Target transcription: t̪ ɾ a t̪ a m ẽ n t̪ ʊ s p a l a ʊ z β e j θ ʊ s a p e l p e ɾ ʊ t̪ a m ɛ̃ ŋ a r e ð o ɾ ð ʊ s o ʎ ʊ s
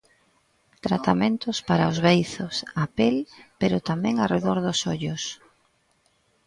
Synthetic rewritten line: t̪ ɾ a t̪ a m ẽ n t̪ ʊ s p a ɾ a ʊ z β e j θ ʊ s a p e l p e ɾ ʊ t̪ a m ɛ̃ ŋ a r e ð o ɾ ð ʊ s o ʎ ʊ s